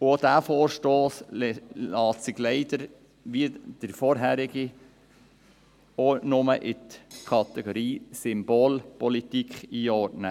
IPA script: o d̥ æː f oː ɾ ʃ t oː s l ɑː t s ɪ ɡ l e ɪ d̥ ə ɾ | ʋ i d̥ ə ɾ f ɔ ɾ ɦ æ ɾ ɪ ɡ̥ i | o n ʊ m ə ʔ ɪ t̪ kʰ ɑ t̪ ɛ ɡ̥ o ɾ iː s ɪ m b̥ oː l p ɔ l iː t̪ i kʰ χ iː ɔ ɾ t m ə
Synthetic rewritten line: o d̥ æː f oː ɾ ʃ t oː s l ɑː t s ɪ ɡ l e ɪ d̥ ə ɾ | ʋ i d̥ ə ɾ f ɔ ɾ ɦ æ ɾ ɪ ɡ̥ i | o n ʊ m ə ʔ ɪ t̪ kʰ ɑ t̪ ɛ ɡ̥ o ɾ iː s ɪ m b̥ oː l p ɔ l i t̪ i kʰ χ iː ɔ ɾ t n ə